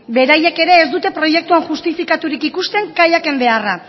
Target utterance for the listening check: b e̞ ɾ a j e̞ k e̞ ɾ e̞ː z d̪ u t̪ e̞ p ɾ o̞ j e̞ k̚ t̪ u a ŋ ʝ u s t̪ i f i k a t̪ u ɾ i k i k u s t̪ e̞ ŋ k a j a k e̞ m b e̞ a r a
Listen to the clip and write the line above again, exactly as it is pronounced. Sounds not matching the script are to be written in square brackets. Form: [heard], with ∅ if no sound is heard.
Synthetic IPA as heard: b e̞ ɾ a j e̞ k e̞ ɾ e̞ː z d̪ u t̪ e̞ p ɾ o̞ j e̞ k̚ t̪ u a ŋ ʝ u s t̪ i f i k a t̪ u ɾ i k i k u s t̪ e̞ ŋ k a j a k e̞ m b e̞ a r a

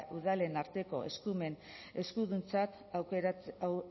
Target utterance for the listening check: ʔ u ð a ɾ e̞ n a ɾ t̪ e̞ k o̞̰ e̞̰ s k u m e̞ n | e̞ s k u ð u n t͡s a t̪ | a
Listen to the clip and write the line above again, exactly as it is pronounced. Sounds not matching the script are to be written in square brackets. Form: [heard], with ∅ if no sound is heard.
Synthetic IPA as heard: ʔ u ð a [l] e̞ n a ɾ t̪ e̞ k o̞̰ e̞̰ s k u m e̞ n | e̞ s k u ð u n t͡s a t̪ | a

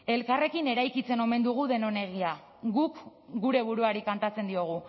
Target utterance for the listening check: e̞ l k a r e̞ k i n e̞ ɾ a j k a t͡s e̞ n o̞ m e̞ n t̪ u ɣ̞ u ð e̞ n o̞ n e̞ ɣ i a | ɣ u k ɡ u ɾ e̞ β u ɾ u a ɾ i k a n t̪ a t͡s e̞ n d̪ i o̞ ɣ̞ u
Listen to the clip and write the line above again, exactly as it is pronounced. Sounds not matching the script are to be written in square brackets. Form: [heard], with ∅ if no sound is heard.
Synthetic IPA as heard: e̞ l k a r e̞ k i n e̞ ɾ a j k [i] t͡s e̞ n o̞ m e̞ n [d̪] u ɣ̞ u ð e̞ n o̞ n e̞ ɣ i a | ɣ u k ɡ u ɾ e̞ β u ɾ u a ɾ i k a n t̪ a t͡s e̞ n d̪ i o̞ ɣ̞ u

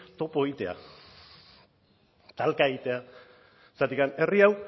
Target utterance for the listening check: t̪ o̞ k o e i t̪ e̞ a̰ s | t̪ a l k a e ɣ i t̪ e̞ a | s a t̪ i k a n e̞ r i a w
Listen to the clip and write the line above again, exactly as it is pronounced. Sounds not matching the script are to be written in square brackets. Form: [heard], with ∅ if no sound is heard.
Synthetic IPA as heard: t̪ o̞ [p] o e i t̪ e̞ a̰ [∅] | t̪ a l k a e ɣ i t̪ e̞ a | s a t̪ i k a n e̞ r i a w

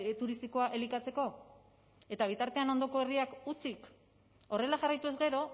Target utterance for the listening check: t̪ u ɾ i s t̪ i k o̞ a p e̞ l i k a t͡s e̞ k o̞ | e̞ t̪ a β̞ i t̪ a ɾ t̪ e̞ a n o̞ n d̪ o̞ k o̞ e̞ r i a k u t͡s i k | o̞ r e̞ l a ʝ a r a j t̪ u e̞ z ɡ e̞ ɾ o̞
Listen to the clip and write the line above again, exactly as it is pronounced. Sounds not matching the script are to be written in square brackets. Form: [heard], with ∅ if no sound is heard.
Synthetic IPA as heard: t̪ u ɾ i s t̪ i k o̞ a [ʔ] e̞ l i k a t͡s e̞ k o̞ | e̞ t̪ a β̞ i t̪ a ɾ t̪ e̞ a n o̞ n d̪ o̞ k o̞ e̞ r i a k u t͡s i k | o̞ r e̞ l a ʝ a r a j t̪ u e̞ z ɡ e̞ ɾ o̞

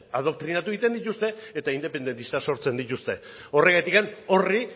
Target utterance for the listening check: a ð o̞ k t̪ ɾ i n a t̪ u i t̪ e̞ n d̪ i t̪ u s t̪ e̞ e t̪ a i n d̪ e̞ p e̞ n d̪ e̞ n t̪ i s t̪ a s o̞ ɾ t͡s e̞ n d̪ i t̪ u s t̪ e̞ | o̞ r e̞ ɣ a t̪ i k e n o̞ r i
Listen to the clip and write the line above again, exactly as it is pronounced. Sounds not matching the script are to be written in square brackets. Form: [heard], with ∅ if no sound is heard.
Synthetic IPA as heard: a ð o̞ k t̪ ɾ i n a t̪ u i t̪ e̞ n d̪ i t̪ u s t̪ e̞ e t̪ a i n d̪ e̞ p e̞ n d̪ e̞ n t̪ i s t̪ a s o̞ ɾ t͡s e̞ n d̪ i t̪ u s t̪ e̞ | o̞ r e̞ ɣ a t̪ i k [a] n o̞ r i

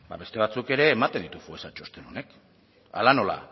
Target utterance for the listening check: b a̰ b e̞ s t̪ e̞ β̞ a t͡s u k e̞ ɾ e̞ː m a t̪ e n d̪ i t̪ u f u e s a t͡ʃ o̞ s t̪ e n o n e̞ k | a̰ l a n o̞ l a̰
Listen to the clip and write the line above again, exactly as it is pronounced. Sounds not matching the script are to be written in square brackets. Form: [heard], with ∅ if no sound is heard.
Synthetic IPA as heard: b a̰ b e̞ s t̪ e̞ β̞ a t͡s u k e̞ ɾ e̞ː m a t̪ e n d̪ i t̪ u f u e s a t͡ʃ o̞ s t̪ e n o n e̞ k | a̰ l a n o̞ l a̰

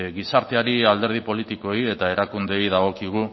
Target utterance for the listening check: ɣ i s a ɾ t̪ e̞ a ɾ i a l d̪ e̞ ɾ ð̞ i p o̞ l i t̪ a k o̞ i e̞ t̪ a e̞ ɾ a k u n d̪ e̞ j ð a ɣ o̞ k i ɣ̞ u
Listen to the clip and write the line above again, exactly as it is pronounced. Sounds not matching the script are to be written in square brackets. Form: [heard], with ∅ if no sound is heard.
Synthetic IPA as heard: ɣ i s a ɾ t̪ e̞ a ɾ i a l d̪ e̞ ɾ ð̞ i p o̞ l i t̪ [i] k o̞ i e̞ t̪ a e̞ ɾ a k u n d̪ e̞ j ð a ɣ o̞ k i ɣ̞ u

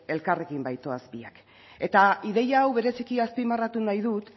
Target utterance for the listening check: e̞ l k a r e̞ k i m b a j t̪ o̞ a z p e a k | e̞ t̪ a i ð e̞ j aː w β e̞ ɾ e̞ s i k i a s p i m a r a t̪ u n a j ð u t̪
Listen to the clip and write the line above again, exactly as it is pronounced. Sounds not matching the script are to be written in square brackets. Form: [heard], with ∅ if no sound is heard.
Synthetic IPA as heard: e̞ l k a r e̞ k i m b a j t̪ o̞ a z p [i] a k | e̞ t̪ a i ð e̞ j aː w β e̞ ɾ e̞ s i k i a s p i m a r a t̪ u n a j ð u t̪

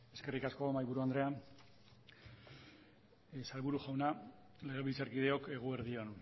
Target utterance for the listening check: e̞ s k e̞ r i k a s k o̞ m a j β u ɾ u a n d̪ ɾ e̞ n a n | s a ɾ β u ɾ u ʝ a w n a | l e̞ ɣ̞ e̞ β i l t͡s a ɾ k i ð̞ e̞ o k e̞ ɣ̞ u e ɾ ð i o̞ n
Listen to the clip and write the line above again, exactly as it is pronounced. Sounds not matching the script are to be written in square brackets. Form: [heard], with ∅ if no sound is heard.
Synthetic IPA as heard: e̞ s k e̞ r i k a s k o̞ m a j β u ɾ u a n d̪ ɾ e̞ [∅] a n | s a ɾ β u ɾ u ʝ a w n a | l e̞ ɣ̞ e̞ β i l t͡s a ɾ k i ð̞ e̞ o k e̞ ɣ̞ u e ɾ ð i o̞ n

